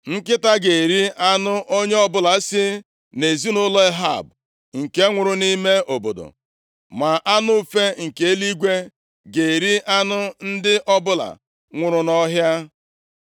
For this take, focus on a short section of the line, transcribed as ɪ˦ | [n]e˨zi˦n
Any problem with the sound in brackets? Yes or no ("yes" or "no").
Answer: no